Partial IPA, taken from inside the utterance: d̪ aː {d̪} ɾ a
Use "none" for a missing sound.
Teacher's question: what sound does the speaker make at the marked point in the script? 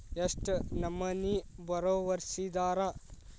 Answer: none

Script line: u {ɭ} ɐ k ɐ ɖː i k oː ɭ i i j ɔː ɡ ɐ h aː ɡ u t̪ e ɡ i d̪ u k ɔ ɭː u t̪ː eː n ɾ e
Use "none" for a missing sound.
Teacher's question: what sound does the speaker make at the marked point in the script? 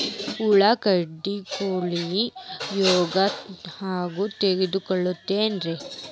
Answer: ɭ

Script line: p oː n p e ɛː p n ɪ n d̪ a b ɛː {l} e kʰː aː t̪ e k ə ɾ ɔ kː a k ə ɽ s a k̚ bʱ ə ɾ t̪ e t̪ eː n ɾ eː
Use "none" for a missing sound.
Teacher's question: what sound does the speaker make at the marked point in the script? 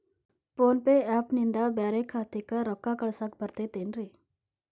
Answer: ɾ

